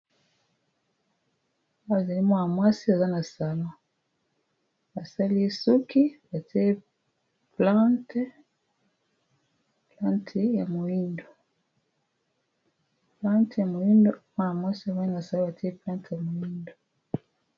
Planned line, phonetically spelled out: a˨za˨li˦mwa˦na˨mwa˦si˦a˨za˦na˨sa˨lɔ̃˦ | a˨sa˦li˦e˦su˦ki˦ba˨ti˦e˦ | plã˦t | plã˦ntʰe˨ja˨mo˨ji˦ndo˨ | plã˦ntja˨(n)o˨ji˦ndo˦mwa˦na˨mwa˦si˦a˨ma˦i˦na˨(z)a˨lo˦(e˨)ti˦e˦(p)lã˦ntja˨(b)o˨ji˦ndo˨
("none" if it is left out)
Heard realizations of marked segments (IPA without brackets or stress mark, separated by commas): m, s, a˨, p, m